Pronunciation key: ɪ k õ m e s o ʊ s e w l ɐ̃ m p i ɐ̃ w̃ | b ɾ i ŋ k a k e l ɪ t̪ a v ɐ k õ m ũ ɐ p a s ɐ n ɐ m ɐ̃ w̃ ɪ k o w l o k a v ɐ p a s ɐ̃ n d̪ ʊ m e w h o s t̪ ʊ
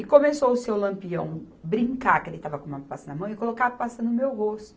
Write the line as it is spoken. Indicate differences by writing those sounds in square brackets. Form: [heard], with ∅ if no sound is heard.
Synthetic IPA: ɪ k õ m e s o ʊ s e w l ɐ̃ m p i ɐ̃ w̃ | b ɾ [ĩ] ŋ k a k e l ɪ t̪ a v ɐ k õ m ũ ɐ p a s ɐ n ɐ m ɐ̃ w̃ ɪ k o [∅] l o k a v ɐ p a s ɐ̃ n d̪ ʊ m e w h o s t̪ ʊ